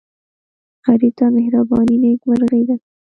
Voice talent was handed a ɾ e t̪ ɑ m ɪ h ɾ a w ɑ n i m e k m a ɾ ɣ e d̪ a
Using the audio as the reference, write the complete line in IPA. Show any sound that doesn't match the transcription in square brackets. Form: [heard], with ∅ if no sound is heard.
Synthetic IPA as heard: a ɾ [i] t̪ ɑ m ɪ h ɾ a [b] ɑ n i [n] e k m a ɾ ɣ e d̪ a